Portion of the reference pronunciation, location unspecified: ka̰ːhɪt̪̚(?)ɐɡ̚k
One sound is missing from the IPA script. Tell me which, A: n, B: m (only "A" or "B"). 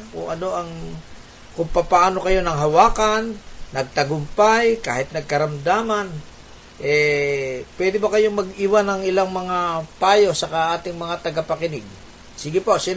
A